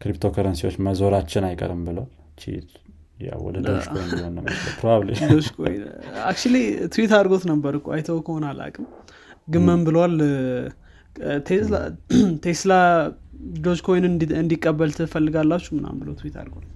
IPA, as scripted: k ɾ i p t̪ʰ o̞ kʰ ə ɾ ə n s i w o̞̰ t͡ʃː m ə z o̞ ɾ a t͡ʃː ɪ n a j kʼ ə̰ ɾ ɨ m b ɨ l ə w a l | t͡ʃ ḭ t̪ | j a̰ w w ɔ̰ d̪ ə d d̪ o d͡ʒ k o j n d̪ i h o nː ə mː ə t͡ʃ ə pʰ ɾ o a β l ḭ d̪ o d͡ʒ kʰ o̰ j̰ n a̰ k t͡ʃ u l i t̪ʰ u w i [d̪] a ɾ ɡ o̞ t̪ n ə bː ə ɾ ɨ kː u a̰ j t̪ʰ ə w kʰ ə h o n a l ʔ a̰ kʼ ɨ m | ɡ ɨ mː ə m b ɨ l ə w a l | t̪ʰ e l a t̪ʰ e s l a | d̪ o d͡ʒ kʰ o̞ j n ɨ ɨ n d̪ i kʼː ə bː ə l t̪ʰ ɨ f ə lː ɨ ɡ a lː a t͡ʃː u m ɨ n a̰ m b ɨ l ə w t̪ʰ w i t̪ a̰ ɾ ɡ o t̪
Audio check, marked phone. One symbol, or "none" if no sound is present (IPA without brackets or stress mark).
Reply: t̪